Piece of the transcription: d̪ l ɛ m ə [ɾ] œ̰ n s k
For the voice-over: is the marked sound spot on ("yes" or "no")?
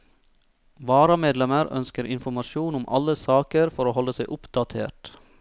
yes